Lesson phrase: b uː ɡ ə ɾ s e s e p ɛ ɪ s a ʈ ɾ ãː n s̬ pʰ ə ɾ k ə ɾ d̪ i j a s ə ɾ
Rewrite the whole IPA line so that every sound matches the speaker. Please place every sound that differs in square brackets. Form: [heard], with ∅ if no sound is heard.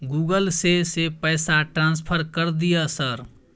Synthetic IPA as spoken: [ɡ] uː ɡ ə [l] s e s e p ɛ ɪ s a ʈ ɾ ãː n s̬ pʰ ə ɾ k ə ɾ d̪ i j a s ə ɾ